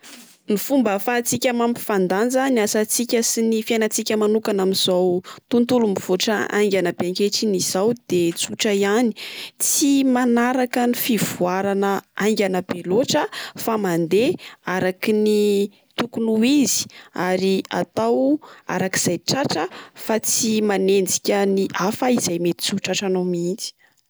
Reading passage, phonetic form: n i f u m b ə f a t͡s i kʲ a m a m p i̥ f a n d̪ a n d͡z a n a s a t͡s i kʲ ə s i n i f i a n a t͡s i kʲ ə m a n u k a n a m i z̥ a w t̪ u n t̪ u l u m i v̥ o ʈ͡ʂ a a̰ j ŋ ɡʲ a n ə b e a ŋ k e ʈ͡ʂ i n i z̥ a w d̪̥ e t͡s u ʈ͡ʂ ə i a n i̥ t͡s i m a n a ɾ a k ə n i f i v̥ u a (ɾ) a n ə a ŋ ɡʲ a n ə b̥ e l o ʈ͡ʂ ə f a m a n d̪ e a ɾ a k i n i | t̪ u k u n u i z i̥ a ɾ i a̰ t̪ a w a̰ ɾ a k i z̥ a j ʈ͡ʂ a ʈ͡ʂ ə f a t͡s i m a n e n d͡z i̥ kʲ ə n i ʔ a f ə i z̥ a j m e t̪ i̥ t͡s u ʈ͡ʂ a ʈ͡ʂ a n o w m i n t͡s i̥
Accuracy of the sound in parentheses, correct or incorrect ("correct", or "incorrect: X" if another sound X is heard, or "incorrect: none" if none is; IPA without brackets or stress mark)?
correct